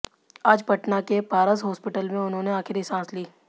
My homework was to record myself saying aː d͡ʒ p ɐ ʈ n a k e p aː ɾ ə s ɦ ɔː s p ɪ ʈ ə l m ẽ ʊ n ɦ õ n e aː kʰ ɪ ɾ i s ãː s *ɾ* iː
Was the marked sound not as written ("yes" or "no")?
yes